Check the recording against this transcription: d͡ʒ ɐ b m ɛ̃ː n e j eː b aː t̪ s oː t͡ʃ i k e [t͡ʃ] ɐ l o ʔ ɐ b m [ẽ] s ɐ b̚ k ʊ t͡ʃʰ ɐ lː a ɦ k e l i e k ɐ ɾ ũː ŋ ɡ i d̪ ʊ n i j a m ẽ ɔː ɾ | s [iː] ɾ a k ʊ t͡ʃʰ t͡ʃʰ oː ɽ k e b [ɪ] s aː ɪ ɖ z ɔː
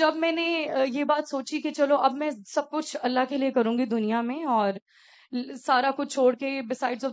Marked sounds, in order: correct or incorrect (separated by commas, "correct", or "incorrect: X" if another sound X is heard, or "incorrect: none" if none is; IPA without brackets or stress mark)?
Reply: correct, incorrect: ɛ̃, incorrect: aː, correct